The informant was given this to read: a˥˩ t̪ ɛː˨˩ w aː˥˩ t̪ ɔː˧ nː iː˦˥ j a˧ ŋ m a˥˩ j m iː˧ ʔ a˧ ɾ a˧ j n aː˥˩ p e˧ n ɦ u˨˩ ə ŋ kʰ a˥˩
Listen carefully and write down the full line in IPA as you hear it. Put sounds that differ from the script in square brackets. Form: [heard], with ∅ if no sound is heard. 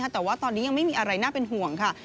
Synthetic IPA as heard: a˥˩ t̪ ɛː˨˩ w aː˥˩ t̪ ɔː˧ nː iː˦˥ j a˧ ŋ m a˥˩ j m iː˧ ʔ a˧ ɾ a˧ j n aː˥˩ p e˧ n ɦ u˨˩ ə ŋ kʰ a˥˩